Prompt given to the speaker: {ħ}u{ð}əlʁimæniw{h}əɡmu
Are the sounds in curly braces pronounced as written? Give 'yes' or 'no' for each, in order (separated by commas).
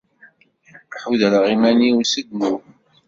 yes, yes, no